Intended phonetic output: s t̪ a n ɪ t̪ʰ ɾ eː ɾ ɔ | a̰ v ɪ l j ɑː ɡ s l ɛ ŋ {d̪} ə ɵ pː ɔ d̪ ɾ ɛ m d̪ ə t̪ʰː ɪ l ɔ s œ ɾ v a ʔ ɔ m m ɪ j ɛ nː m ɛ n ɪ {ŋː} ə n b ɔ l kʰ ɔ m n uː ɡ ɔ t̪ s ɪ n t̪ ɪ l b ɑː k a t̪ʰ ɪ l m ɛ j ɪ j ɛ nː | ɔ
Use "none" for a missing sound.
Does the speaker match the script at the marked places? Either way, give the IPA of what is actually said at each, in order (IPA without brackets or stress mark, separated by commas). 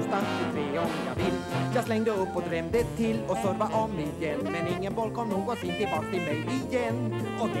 d̪, ŋː